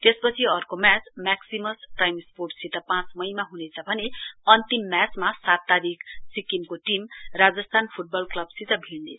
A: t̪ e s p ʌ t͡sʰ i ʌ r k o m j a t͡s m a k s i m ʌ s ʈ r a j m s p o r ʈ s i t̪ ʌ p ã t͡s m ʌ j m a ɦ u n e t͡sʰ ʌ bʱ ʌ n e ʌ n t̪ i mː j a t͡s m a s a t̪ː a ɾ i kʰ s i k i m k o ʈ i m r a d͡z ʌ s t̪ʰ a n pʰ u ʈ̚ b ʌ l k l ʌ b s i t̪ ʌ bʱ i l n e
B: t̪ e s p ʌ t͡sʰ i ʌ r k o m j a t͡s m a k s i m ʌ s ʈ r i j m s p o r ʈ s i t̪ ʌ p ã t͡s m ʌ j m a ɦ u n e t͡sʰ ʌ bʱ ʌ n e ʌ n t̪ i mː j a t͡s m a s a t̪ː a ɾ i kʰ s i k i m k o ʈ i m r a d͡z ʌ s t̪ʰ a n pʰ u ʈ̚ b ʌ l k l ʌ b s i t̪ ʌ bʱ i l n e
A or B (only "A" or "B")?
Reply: A